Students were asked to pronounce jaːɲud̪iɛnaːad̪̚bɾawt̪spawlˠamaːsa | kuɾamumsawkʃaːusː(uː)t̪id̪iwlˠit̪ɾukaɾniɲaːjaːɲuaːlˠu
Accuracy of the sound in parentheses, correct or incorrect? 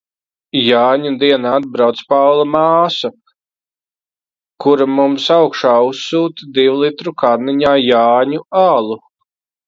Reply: correct